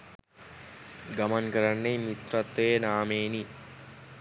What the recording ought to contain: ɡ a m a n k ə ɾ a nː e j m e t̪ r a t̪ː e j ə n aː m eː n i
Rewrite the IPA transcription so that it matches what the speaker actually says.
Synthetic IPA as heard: ɡ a m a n k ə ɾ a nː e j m i t̪ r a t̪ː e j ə n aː m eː n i